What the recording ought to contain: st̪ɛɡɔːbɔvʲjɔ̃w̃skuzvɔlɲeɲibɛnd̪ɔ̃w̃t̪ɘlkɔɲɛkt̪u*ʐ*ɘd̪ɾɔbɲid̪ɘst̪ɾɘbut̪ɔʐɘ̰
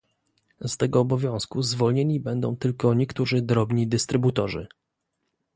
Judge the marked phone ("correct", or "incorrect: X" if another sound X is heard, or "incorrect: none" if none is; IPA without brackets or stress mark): correct